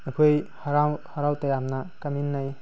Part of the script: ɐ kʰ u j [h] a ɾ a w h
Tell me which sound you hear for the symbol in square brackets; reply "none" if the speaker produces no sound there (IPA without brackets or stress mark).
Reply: h